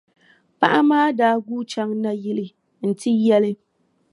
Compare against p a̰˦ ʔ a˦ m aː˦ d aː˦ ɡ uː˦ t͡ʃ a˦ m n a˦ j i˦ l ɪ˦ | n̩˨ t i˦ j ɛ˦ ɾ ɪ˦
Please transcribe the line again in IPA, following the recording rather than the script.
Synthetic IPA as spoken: p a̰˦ ʔ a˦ m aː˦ d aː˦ ɡ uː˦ t͡ʃ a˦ ŋ n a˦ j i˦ l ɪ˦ | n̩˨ t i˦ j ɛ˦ l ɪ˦